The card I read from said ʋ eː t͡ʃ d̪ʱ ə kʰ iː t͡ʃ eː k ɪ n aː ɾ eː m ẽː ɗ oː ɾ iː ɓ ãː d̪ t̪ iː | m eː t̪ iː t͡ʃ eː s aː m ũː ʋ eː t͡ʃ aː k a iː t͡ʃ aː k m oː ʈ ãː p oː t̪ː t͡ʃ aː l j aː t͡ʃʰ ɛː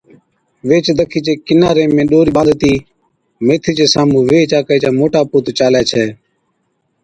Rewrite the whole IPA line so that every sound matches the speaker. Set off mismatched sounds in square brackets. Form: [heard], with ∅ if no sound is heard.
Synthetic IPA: ʋ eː t͡ʃ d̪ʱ ə kʰ iː t͡ʃ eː k ɪ n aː ɾ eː m ẽː ɗ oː ɾ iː ɓ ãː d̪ t̪ iː | m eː [t̪ʰ] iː t͡ʃ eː s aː m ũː ʋ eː t͡ʃ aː k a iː t͡ʃ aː [∅] m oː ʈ [aː] p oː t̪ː t͡ʃ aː l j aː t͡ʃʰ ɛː